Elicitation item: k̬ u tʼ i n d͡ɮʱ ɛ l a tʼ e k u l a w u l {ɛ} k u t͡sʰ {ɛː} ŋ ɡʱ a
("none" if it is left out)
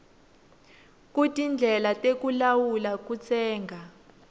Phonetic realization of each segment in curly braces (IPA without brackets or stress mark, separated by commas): a, ɛː